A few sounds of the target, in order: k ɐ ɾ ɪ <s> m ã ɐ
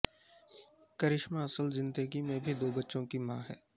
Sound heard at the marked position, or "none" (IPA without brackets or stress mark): ʃ